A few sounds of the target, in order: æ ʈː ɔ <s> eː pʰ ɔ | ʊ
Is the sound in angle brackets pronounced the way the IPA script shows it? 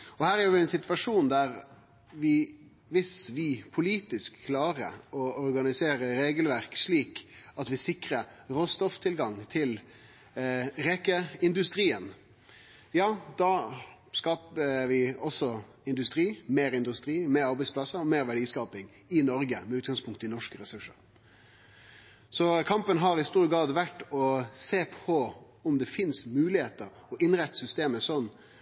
yes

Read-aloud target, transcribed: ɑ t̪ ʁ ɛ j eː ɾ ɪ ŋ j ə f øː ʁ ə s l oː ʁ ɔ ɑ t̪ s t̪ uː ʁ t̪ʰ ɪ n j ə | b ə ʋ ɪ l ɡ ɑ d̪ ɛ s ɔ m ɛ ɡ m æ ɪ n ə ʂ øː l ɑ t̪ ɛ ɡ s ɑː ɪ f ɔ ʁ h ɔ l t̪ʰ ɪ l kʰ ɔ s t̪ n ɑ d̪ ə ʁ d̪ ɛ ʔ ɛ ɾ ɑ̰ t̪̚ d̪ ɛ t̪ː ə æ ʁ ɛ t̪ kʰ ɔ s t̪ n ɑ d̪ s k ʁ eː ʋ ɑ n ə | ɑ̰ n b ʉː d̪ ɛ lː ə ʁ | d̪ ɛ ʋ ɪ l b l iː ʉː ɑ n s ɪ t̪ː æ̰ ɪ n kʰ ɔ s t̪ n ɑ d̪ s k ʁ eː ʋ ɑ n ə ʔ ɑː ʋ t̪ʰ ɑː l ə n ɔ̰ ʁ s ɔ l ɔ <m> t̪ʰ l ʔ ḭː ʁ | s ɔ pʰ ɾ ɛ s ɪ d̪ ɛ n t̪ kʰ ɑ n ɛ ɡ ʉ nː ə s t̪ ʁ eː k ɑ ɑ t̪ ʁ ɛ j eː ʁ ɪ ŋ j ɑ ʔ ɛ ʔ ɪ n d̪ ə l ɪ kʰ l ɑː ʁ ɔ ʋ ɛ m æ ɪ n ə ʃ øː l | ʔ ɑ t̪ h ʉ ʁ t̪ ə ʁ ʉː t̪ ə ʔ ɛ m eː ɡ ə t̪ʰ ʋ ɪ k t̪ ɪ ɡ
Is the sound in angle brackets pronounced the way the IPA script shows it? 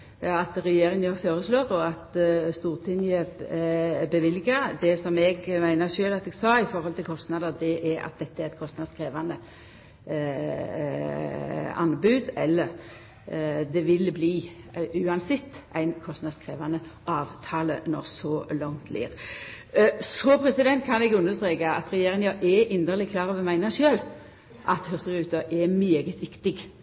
no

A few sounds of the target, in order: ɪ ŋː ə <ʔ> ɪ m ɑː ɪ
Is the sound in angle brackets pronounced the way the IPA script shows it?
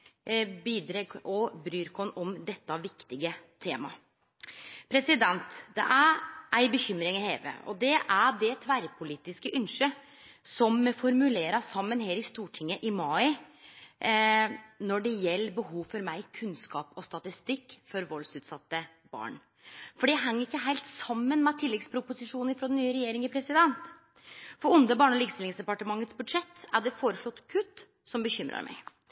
yes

